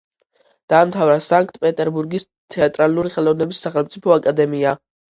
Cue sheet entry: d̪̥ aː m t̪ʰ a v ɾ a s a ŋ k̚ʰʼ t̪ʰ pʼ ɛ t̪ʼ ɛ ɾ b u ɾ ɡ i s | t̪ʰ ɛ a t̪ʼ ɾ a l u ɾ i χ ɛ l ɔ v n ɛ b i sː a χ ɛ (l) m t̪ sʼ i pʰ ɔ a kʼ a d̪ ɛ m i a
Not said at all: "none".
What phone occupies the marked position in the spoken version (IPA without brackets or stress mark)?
l